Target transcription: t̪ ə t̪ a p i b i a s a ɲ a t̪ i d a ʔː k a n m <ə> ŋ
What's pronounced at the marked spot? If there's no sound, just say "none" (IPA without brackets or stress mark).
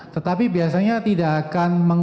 ə